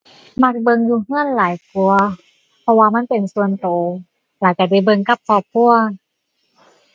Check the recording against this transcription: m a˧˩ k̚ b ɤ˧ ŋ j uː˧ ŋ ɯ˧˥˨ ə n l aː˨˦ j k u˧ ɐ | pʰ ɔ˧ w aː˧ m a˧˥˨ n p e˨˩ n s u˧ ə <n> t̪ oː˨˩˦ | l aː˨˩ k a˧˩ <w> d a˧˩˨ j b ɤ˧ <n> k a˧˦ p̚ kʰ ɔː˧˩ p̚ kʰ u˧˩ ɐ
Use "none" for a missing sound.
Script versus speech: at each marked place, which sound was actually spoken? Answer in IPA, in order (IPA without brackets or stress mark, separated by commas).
n, none, ŋ